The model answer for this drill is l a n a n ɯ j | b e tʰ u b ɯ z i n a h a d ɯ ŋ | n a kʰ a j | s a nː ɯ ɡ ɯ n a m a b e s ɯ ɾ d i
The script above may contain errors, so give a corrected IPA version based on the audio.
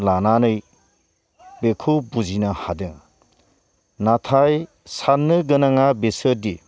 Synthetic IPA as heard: l a n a n ɯ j | b e kʰ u b u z i n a h a d ɯ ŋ | n a tʰ a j | s a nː ɯ ɡ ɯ n a ŋ a b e s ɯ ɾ d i